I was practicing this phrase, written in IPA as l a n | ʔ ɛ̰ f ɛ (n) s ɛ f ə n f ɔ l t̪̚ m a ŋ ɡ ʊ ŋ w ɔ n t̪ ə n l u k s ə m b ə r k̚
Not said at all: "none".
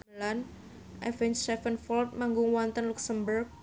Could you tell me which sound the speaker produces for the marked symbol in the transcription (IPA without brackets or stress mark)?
n